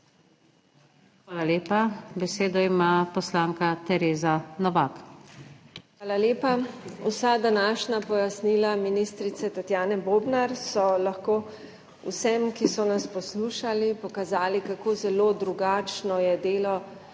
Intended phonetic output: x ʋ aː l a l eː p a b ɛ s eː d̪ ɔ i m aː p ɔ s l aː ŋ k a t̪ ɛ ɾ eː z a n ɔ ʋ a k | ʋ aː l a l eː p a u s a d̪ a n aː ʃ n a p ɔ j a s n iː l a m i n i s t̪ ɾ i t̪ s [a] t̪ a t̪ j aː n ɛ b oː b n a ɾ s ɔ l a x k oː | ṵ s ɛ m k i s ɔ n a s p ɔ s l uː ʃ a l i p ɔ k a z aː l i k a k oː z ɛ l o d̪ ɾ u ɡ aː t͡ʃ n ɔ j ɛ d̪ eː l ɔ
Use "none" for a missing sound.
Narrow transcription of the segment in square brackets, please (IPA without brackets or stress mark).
ɛ